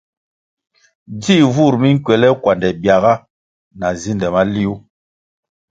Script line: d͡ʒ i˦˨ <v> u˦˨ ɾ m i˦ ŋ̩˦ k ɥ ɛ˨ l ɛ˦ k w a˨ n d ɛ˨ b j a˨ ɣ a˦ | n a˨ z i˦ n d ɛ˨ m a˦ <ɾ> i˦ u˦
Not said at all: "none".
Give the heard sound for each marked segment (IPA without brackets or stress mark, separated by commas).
v, l